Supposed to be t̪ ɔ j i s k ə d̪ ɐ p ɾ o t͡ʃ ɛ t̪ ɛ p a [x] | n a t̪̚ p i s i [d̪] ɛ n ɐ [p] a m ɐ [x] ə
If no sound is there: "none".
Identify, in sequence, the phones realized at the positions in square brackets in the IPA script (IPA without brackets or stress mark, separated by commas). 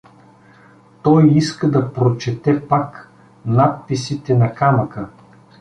k, t̪, k, k